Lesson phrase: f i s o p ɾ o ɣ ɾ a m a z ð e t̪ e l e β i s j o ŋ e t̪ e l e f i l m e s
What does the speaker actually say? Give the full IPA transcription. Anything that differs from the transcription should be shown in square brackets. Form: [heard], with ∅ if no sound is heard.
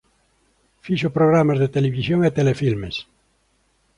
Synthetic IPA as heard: f i [ʃ] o p ɾ o ɣ ɾ a m a z ð e t̪ e l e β i s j o ŋ e t̪ e l e f i l m e s